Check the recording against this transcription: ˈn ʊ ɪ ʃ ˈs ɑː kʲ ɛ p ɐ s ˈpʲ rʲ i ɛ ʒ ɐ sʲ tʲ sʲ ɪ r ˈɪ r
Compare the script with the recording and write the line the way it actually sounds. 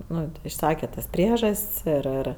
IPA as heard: ˈn ʊ ɪ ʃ ˈs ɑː kʲ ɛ t ɐ s ˈpʲ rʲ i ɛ ʒ ɐ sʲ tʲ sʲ ɪ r ˈɪ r